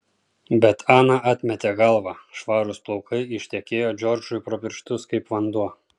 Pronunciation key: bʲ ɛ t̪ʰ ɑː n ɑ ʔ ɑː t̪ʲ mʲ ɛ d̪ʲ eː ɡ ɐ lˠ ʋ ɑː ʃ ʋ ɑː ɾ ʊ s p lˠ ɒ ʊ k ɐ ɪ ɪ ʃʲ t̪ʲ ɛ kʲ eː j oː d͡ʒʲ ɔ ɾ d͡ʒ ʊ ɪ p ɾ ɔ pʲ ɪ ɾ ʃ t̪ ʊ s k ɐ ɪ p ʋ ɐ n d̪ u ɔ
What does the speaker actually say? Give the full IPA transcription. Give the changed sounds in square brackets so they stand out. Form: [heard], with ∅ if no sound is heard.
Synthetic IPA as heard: bʲ ɛ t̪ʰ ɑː n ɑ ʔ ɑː t̪ʲ mʲ ɛ [t̪ʲ] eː ɡ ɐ lˠ ʋ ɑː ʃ ʋ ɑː ɾ ʊ s p lˠ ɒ ʊ k ɐ ɪ ɪ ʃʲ t̪ʲ ɛ kʲ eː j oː d͡ʒʲ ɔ ɾ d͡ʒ ʊ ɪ p ɾ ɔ pʲ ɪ ɾ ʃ t̪ ʊ s k ɐ ɪ p ʋ ɐ n d̪ u ɔ